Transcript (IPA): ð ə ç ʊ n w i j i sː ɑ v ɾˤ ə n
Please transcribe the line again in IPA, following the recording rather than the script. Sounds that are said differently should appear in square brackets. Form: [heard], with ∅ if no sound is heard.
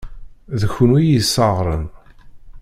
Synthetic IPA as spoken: ð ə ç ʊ n w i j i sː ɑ [ʁ] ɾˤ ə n